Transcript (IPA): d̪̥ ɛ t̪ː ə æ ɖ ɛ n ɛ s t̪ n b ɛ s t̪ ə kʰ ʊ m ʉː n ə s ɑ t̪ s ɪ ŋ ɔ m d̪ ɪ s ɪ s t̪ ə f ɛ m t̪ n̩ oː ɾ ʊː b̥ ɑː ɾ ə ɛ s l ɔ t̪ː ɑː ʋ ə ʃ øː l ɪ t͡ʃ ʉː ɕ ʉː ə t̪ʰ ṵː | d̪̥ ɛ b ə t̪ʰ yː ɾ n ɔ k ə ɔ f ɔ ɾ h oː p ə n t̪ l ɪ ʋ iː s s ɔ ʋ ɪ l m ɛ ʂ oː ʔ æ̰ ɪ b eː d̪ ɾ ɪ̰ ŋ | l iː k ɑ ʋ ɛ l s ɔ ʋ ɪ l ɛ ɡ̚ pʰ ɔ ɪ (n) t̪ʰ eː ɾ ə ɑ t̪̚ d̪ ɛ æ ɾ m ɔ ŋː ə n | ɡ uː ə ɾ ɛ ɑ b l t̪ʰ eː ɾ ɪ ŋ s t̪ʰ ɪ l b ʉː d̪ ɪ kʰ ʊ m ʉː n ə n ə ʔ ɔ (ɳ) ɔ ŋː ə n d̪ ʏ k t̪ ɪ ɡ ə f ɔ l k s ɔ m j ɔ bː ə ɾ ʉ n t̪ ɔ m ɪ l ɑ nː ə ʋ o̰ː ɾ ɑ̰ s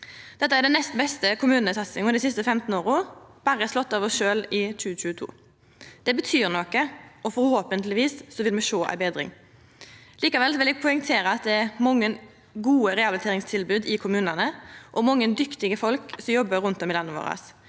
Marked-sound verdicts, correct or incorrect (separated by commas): incorrect, incorrect